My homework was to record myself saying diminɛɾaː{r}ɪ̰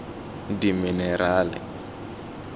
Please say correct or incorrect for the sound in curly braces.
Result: incorrect: l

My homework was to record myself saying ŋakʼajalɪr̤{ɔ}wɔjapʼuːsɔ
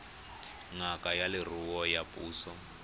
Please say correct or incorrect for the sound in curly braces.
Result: incorrect: u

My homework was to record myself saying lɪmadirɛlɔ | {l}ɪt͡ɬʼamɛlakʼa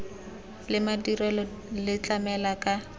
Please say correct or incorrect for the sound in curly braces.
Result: correct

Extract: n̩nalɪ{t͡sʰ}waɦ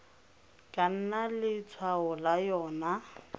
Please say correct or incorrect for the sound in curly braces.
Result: correct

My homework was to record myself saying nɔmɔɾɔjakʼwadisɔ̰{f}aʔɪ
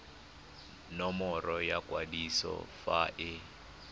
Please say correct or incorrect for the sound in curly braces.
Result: correct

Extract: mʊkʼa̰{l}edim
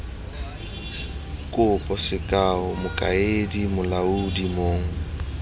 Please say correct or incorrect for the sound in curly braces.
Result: incorrect: none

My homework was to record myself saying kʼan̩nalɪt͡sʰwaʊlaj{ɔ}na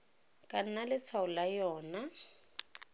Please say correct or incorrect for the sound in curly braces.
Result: incorrect: ɔː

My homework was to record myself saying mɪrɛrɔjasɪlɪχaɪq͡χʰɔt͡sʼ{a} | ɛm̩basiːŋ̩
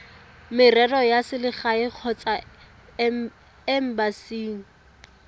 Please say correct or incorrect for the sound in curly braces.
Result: correct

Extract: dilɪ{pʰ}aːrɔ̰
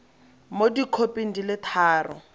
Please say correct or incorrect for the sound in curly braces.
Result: incorrect: tʰ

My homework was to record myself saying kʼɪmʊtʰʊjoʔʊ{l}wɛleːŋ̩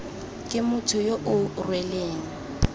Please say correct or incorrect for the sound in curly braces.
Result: incorrect: r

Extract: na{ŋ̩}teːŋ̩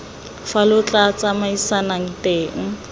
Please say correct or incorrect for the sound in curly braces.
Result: correct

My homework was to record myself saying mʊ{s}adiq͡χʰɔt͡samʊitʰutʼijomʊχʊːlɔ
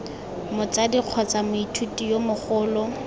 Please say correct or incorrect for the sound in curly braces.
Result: incorrect: t͡s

